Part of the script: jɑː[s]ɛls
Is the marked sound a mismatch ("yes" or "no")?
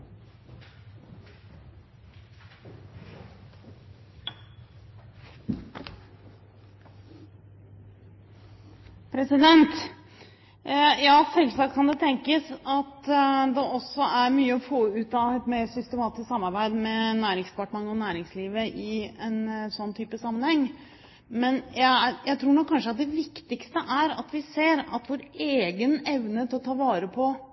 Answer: no